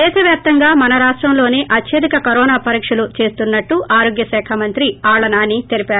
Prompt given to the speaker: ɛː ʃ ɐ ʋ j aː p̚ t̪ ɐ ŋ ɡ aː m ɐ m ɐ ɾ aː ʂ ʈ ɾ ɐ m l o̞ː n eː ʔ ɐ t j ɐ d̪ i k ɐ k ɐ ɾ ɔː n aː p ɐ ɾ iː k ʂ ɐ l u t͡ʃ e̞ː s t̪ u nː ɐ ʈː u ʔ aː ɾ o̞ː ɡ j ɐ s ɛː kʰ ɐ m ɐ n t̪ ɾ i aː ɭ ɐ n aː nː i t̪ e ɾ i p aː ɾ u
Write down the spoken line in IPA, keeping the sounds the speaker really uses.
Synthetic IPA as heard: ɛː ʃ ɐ ʋ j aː p̚ t̪ ɐ ŋ ɡ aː m ɐ n ɐ ɾ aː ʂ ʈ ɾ ɐ m l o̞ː n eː ʔ ɐ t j ɐ d̪ i k ɐ k ɐ ɾ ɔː n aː p ɐ ɾ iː k ʂ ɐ l u t͡ʃ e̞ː s t̪ u nː ɐ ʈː u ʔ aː ɾ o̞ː ɡ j ɐ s ɛː kʰ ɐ m ɐ n t̪ ɾ i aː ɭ ɐ n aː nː i t̪ e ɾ i p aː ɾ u